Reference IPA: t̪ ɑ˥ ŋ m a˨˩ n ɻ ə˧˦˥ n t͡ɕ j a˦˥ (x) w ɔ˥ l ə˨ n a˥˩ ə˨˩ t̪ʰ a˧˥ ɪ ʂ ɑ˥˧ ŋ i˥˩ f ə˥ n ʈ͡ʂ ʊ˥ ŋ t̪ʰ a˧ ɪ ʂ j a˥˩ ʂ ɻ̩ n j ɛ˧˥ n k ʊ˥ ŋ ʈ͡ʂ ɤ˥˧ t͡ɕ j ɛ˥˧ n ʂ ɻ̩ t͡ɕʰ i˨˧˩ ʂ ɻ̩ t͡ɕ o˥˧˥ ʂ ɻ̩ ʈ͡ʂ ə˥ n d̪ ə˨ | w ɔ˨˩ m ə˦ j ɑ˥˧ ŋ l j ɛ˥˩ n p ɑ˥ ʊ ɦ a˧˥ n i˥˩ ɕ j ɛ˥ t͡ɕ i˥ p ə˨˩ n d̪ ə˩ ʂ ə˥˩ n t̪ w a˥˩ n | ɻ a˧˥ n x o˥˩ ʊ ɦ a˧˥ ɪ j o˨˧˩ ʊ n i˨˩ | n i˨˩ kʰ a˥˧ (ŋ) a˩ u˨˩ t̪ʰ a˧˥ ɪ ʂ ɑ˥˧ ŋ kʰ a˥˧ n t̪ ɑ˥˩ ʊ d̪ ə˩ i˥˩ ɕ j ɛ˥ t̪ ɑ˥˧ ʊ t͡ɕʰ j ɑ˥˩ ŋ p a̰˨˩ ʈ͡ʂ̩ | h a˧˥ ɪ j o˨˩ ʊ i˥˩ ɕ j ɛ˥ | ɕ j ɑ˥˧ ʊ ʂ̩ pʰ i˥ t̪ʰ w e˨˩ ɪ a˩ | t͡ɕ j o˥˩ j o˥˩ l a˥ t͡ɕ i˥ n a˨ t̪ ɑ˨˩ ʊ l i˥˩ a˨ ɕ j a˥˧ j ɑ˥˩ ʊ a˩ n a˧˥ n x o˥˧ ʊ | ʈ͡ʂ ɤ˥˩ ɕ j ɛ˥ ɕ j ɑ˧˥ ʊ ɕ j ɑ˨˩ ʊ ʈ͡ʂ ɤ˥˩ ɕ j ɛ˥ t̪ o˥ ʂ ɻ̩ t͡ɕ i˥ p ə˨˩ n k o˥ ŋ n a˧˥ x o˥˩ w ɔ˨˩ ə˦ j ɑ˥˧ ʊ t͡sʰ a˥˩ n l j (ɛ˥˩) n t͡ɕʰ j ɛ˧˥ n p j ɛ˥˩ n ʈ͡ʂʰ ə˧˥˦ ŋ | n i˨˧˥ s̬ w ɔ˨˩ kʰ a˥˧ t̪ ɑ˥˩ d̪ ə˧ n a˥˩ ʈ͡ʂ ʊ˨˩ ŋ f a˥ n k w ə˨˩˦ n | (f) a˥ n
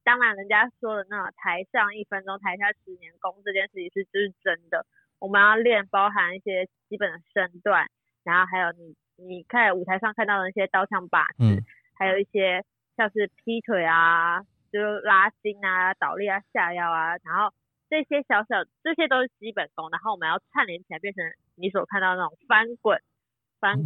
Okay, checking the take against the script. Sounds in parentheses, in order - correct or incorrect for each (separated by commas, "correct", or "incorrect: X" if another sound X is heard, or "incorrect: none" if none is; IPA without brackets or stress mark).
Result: incorrect: ʂ, incorrect: n, incorrect: ɛ˧˥, correct